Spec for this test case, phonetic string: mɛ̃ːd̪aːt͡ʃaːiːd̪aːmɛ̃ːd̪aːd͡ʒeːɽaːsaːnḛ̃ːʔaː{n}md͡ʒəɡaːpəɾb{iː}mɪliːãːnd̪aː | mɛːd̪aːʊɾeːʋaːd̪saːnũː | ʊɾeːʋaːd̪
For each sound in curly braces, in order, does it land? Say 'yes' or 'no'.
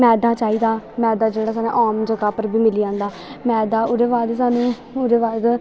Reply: no, yes

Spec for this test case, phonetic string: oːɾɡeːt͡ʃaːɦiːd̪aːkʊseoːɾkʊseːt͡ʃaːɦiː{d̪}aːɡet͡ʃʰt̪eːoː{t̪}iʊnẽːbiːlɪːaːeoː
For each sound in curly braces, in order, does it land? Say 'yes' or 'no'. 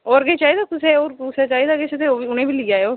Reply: yes, no

